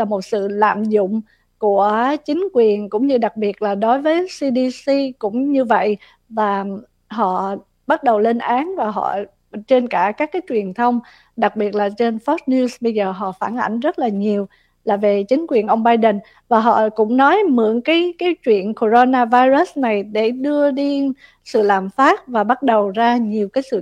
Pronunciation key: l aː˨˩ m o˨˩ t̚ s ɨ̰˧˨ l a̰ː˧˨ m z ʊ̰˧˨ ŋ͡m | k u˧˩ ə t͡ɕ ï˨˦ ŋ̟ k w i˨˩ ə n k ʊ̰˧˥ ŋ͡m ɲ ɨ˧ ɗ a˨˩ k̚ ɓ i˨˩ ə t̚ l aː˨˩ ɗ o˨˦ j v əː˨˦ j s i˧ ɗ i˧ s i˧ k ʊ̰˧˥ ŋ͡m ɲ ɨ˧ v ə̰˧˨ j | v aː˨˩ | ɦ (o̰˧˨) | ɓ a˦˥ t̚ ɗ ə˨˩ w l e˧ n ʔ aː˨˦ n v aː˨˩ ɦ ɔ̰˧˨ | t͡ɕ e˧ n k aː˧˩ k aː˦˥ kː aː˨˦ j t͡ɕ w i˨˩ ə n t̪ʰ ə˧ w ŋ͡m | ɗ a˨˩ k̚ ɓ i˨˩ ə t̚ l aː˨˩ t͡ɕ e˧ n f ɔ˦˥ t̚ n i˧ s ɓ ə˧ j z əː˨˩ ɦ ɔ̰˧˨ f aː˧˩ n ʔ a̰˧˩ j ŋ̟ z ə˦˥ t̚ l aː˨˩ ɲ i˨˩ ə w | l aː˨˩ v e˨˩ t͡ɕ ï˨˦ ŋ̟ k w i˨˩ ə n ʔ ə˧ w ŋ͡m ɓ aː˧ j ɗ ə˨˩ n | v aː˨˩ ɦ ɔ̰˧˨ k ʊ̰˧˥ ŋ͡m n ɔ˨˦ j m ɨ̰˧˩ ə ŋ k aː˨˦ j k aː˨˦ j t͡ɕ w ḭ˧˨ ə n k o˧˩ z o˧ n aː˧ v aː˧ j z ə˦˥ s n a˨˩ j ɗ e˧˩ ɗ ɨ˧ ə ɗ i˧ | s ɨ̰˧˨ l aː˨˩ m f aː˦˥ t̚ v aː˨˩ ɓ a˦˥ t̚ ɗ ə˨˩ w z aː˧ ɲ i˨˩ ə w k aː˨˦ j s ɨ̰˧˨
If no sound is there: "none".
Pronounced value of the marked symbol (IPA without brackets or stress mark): ɔ̰˧˨